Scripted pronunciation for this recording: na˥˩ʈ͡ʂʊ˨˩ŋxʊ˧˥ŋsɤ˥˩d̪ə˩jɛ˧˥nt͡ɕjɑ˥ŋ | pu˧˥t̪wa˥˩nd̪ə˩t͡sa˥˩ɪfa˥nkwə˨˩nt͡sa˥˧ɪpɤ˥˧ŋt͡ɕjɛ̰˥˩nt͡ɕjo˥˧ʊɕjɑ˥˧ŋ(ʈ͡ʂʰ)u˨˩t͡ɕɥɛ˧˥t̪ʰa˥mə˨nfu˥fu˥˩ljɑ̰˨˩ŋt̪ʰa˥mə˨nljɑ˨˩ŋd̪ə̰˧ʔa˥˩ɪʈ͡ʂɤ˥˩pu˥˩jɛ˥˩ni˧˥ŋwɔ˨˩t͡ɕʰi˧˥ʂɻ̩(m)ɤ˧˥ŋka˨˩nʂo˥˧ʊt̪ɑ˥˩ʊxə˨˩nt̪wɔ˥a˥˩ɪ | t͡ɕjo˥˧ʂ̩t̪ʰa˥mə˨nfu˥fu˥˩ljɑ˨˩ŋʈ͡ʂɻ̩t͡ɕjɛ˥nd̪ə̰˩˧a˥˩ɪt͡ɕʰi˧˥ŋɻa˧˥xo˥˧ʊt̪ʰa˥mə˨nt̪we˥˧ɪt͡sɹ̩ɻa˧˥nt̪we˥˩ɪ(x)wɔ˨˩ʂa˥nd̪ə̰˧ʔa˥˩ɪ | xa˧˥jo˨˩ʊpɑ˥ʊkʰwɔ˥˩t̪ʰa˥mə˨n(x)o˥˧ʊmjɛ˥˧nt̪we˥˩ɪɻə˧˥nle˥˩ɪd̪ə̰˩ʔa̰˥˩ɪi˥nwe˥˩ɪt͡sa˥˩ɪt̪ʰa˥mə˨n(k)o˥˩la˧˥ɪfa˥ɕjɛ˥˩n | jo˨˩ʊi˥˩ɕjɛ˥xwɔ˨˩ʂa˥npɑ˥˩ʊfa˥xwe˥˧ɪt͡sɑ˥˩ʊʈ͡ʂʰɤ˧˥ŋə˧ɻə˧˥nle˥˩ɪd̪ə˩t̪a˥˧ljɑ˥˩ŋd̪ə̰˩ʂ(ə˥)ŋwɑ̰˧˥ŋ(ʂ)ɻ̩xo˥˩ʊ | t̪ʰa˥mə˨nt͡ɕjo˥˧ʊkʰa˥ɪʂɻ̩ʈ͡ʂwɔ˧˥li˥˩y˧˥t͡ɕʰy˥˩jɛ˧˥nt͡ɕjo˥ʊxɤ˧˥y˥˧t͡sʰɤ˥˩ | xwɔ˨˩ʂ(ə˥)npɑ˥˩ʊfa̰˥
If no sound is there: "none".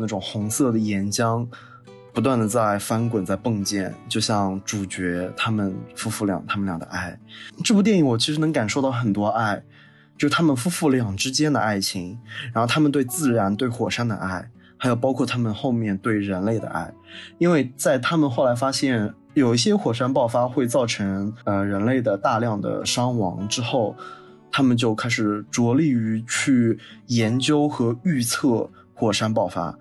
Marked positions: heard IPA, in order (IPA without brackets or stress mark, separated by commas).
ʈ͡ʂ, n, x, x, x, ɑ˥, ʈ͡ʂ, a˥